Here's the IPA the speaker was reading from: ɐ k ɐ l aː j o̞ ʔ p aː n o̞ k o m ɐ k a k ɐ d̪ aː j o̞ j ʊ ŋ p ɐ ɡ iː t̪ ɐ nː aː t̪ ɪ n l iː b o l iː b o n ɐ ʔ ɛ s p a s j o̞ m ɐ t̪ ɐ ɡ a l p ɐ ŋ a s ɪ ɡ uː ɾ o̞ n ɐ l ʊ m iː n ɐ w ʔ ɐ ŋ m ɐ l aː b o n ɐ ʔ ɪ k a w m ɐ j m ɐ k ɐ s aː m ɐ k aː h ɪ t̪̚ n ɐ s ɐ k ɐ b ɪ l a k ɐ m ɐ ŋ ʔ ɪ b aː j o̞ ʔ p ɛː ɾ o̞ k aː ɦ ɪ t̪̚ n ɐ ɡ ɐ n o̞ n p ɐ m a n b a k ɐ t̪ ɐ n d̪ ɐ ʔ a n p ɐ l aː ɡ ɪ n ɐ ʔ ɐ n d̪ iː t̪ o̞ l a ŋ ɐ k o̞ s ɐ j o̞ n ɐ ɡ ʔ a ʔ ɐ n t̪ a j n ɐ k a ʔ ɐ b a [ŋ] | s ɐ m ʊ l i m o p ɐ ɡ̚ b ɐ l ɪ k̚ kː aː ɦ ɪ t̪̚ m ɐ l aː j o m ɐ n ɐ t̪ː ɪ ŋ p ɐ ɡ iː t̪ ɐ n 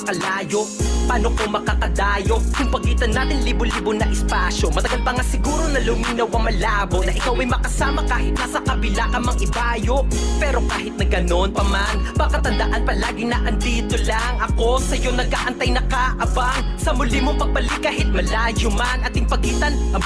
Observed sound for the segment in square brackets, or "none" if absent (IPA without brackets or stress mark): ŋ